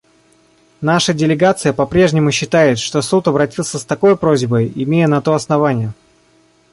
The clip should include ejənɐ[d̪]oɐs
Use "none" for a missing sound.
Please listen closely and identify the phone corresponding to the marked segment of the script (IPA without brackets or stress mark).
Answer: t̪